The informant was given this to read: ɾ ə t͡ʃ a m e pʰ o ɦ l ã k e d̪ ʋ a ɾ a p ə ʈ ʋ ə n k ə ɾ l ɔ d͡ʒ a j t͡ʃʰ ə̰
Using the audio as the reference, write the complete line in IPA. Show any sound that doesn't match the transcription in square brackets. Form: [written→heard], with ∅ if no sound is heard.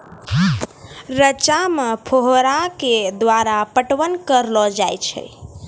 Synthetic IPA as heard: ɾ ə t͡ʃ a m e pʰ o ɦ [l→ɾ] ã k e d̪ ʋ a ɾ a p ə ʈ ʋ ə n k ə ɾ l ɔ d͡ʒ a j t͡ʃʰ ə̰